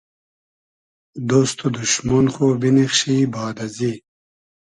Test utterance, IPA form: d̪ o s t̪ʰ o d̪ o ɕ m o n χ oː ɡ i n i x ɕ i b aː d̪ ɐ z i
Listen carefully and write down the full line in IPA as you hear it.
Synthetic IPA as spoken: d̪ o s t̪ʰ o d̪ u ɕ m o n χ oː b i n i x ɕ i b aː d̪ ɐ z i